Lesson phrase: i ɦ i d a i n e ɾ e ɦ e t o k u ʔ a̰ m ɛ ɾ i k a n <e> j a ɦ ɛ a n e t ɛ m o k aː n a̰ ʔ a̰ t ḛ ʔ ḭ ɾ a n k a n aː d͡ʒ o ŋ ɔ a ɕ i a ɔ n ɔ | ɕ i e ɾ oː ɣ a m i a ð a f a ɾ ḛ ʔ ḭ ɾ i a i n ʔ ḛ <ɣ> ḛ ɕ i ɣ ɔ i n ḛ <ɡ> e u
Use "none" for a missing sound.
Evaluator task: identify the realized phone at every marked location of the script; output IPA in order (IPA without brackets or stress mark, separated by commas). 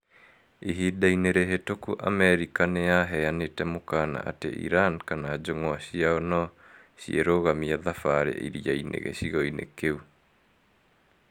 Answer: e, ɣ, k